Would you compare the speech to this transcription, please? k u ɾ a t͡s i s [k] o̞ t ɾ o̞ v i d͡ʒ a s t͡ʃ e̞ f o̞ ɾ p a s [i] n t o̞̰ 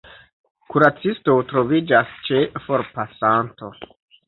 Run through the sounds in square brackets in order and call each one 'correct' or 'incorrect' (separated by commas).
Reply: incorrect, incorrect